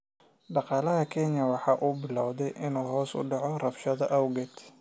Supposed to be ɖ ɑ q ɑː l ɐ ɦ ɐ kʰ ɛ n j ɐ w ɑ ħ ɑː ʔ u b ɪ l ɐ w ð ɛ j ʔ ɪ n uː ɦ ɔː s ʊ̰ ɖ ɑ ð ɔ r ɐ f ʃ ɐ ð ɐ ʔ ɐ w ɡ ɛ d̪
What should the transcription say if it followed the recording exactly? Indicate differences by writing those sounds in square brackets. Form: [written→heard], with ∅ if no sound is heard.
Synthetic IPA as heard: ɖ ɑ q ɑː l ɐ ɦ ɐ kʰ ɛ n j ɐ w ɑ ħ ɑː ʔ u b ɪ l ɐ w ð ɛ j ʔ ɪ n uː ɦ ɔː s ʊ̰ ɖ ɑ [ð→ʕ] ɔ r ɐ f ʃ ɐ ð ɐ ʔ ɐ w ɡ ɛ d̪